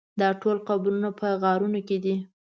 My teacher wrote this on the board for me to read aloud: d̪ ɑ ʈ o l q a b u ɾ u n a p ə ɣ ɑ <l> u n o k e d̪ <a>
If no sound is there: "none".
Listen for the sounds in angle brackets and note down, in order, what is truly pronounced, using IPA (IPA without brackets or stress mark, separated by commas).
ɾ, i